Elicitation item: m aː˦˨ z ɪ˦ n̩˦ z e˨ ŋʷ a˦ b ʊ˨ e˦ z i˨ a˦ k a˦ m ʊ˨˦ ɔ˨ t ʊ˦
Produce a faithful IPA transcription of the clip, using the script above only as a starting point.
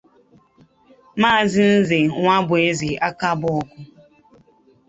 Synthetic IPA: m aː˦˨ z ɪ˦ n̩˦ z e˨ ŋʷ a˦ b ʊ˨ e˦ z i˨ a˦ k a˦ b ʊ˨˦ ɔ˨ k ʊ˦